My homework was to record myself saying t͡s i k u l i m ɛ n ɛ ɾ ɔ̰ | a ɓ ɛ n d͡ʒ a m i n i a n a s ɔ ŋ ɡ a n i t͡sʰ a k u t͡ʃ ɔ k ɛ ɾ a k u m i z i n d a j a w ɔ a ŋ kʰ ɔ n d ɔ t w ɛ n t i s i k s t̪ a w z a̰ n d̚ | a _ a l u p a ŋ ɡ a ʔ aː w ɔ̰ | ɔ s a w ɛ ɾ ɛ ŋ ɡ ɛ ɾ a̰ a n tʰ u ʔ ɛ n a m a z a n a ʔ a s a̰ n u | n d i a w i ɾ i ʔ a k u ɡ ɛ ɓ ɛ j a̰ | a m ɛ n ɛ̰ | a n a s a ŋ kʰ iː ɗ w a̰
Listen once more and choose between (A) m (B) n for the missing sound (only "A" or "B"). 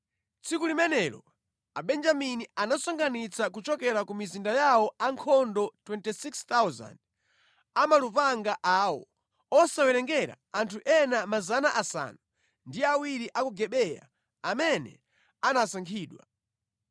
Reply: A